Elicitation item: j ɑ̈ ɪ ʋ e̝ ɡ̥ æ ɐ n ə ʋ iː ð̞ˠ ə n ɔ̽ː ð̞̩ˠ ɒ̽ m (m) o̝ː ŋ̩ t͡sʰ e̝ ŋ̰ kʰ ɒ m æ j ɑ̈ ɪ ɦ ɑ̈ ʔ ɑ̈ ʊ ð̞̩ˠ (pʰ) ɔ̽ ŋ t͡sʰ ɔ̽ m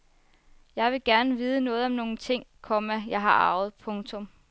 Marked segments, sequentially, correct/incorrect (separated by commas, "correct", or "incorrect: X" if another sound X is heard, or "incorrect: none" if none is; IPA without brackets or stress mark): incorrect: n, correct